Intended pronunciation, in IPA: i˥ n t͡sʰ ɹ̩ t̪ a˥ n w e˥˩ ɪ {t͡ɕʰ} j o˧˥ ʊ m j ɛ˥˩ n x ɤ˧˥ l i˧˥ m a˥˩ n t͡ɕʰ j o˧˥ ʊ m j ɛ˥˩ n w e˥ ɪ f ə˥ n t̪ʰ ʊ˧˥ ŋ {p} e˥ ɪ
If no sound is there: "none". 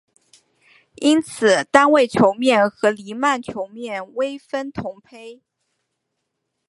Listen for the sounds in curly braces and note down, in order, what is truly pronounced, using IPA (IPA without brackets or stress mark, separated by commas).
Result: t͡ɕʰ, pʰ